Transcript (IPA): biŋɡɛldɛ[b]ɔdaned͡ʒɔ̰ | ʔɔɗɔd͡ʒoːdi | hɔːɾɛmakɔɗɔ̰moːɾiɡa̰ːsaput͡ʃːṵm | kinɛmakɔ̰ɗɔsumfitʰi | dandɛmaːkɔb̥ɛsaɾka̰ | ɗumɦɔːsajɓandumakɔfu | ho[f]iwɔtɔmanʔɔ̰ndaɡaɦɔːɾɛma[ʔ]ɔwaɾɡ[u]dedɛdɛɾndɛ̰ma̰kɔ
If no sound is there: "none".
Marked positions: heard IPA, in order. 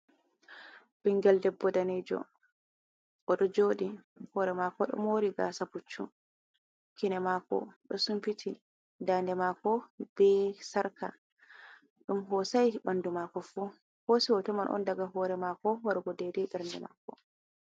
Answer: bː, s, k, ɔ

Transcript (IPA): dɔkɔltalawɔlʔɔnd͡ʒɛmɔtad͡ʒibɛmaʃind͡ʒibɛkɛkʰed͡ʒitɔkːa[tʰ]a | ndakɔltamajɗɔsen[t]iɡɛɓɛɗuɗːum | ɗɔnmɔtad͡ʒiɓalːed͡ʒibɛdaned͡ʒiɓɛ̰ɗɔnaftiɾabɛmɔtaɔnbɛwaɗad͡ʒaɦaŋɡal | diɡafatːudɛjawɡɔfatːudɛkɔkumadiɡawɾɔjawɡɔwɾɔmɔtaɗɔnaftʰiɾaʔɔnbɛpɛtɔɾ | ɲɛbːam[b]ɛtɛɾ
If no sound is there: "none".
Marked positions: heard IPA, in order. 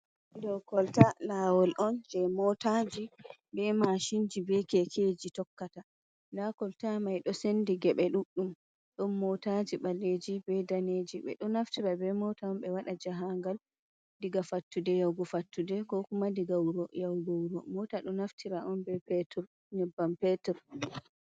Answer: t, d, p

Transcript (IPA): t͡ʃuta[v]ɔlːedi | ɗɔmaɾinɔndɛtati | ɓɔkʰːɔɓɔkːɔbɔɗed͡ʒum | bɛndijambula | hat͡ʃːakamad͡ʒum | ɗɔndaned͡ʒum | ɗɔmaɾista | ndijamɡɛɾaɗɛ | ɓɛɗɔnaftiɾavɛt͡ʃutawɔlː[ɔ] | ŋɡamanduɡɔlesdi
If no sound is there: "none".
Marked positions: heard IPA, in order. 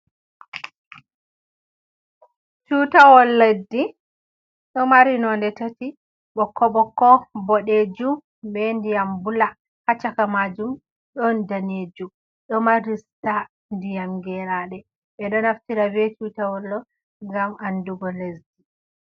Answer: w, ɔ

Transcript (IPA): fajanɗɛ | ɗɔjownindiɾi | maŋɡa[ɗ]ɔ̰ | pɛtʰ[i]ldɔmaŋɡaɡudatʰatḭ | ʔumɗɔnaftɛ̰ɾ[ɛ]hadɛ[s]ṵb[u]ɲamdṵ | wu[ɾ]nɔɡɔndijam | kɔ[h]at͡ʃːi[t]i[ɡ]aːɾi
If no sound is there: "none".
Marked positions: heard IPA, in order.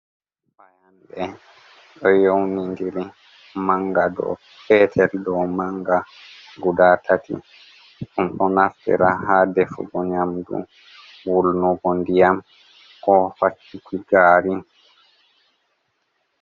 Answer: d, ɛ, a, f, ɔ, l, f, k, ɡ

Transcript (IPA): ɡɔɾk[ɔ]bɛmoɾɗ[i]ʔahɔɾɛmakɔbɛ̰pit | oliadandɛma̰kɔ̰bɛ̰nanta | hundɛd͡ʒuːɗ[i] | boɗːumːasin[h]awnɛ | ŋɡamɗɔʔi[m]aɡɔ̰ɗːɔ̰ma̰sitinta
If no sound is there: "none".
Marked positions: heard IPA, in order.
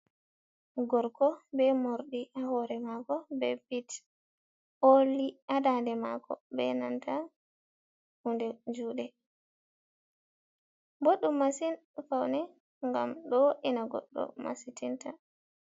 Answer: ɔ, i, ɛ, f, n

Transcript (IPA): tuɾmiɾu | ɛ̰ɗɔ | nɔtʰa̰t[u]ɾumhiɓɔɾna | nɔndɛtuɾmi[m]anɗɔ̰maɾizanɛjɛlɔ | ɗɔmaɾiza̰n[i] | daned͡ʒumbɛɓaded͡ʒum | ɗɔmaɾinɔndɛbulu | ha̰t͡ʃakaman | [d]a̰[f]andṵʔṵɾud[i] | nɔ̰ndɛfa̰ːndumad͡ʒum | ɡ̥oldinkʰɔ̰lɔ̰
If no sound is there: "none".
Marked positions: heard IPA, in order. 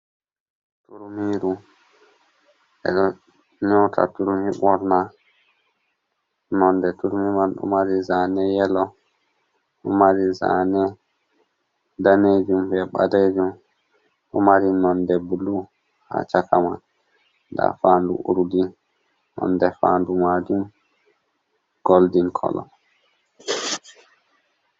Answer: u, m, ɛ, d, f, i

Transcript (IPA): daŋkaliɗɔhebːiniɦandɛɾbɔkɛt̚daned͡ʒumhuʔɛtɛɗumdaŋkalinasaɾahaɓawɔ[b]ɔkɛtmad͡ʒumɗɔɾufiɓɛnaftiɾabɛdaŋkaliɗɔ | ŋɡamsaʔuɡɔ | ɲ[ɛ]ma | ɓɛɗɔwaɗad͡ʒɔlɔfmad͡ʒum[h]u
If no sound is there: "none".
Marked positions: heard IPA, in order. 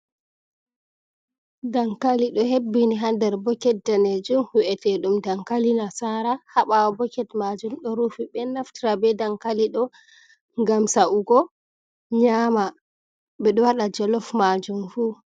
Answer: b, a, f

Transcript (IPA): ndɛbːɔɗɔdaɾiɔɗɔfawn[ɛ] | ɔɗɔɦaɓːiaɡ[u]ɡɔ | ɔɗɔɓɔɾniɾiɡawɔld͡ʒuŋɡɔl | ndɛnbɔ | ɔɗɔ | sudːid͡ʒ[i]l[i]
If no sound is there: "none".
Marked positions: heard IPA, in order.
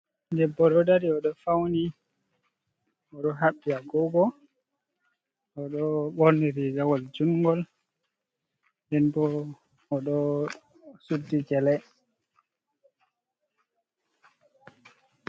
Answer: i, ɔ, ɛ, ɛ

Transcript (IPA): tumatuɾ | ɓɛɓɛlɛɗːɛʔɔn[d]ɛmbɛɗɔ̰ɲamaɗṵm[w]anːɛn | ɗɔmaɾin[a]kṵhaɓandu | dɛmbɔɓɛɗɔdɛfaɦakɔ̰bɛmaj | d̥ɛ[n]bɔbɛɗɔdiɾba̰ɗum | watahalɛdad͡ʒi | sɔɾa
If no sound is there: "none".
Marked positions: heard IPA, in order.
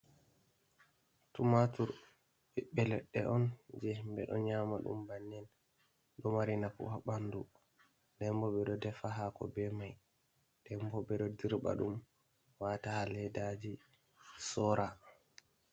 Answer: d͡ʒ, b, a, m

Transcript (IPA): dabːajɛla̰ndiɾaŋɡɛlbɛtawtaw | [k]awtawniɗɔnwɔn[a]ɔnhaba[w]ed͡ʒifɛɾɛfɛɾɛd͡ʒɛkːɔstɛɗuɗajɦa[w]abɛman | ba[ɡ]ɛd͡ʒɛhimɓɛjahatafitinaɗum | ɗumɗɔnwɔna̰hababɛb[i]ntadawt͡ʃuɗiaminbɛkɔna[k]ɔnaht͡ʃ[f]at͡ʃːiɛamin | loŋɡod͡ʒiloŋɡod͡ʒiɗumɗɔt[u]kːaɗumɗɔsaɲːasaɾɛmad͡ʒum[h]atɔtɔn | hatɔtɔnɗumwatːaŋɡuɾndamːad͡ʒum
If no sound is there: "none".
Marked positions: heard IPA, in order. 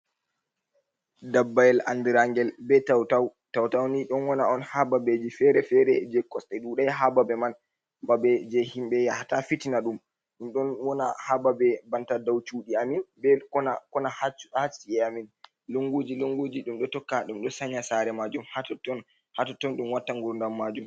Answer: t, a, b, b, b, a, k, h, ɔ, h

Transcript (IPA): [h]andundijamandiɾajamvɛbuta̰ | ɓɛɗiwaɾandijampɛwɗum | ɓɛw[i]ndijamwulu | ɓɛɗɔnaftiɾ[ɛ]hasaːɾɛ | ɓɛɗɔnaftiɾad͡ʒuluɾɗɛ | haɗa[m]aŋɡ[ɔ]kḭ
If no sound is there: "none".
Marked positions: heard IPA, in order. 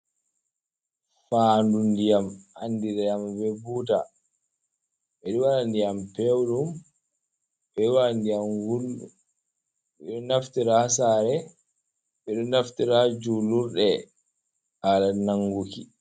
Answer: f, a, a, n, u

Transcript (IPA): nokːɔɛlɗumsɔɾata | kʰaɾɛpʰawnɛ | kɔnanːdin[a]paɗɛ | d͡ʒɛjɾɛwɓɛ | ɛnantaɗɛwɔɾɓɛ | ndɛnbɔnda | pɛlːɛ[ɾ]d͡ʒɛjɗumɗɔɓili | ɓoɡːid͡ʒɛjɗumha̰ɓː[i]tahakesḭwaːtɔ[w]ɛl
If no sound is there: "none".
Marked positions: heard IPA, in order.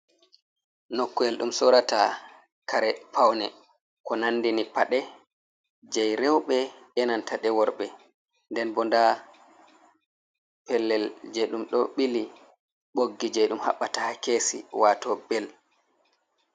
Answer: i, l, a, b

